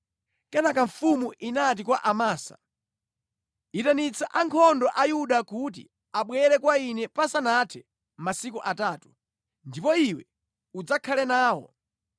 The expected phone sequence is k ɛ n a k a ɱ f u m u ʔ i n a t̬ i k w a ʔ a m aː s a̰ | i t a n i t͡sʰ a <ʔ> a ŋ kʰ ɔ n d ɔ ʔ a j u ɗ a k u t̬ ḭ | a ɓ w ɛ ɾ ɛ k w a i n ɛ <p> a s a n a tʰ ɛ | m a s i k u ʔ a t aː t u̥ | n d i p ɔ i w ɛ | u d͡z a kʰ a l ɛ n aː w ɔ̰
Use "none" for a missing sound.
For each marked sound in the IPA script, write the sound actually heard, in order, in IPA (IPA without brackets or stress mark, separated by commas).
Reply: ʔ, p